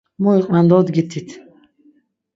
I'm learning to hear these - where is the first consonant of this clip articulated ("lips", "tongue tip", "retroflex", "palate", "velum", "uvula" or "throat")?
lips